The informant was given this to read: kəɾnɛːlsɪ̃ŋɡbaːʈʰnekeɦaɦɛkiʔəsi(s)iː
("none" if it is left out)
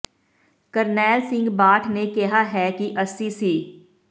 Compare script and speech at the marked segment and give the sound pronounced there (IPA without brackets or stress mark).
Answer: s